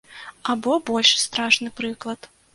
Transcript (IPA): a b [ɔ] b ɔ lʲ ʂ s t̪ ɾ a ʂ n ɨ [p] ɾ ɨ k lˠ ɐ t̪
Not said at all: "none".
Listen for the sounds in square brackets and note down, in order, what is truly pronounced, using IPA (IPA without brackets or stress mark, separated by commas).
ɔ, p